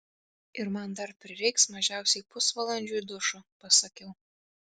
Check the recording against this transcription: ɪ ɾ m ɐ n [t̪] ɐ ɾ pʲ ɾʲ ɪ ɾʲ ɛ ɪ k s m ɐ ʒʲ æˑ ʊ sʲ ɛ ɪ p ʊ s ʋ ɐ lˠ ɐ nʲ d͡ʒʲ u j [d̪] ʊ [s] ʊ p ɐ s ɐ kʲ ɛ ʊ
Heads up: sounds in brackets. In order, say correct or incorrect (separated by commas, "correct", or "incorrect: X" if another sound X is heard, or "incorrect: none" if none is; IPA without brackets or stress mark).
incorrect: d̪, correct, incorrect: ʃ